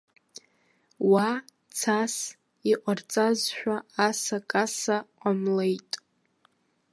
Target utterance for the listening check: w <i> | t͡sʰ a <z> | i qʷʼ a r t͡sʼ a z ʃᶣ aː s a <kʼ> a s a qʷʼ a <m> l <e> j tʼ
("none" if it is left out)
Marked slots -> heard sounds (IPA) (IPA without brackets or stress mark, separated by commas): a, s, kʼ, m, e